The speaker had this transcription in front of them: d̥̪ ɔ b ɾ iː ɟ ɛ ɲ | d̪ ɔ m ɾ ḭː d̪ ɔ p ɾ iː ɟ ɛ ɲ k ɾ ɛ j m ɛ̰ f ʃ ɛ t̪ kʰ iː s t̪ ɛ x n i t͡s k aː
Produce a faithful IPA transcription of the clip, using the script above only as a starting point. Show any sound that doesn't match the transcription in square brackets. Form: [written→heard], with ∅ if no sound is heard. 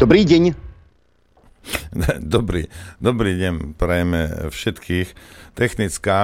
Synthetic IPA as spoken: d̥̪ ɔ b ɾ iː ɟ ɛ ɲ | d̪ ɔ [m→b] ɾ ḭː d̪ ɔ [p→b] ɾ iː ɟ ɛ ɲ [k→p] ɾ ɛ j m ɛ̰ f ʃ ɛ t̪ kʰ iː [s→x] t̪ ɛ x n i t͡s k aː